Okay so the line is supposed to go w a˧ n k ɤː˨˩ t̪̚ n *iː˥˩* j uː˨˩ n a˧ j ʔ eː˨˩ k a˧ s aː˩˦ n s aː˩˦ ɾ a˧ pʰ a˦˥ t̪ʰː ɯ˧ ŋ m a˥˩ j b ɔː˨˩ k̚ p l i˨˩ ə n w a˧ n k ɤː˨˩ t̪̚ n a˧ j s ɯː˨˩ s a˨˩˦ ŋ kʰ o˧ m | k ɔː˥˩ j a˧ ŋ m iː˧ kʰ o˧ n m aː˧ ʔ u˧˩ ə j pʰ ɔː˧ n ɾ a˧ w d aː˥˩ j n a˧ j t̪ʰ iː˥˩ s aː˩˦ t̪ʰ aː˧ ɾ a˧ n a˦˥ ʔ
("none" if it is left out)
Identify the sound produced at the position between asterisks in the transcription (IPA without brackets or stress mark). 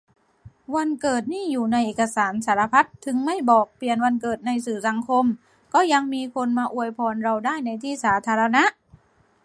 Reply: iː˥˩